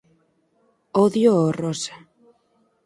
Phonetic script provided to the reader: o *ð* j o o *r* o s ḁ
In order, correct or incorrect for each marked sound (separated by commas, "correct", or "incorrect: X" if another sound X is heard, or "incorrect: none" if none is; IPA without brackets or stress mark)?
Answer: correct, correct